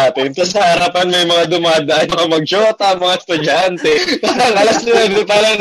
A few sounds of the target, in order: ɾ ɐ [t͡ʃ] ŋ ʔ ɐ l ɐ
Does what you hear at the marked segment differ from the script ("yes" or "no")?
yes